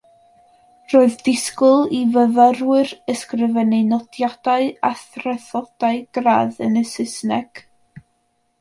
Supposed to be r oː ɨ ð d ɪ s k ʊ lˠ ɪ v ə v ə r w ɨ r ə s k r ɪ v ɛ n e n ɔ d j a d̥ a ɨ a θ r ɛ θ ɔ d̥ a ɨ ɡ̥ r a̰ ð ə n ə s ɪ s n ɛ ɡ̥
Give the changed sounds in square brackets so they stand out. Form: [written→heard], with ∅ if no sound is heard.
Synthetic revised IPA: r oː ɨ ð d ɪ s k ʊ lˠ [ɪ→i] v ə v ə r w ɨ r ə s k r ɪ v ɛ n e n ɔ d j a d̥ a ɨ a θ r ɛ θ ɔ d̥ a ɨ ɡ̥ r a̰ ð ə n ə s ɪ s n ɛ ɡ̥